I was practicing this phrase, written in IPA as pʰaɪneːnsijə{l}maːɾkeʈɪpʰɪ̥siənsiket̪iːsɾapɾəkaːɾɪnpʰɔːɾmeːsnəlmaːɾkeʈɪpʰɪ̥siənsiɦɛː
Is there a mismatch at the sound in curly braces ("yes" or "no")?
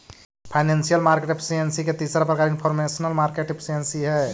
no